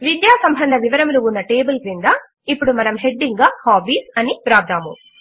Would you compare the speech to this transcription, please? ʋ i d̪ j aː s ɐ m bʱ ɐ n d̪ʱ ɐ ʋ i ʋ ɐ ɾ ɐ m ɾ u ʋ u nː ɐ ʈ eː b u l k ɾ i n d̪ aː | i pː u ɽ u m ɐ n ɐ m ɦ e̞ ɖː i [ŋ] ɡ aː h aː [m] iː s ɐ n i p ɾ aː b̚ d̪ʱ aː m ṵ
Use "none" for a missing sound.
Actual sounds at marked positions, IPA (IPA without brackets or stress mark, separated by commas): ŋ, b